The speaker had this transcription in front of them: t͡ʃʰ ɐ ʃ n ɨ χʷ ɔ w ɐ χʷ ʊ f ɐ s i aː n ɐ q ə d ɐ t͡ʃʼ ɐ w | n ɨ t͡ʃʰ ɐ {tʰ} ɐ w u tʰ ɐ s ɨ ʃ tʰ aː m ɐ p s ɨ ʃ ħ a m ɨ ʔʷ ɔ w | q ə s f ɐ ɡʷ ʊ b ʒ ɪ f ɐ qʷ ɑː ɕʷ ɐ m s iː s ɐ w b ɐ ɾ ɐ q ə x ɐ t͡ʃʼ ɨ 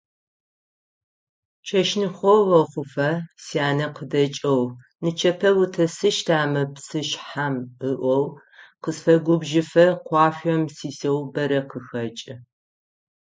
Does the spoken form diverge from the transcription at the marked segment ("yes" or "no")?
yes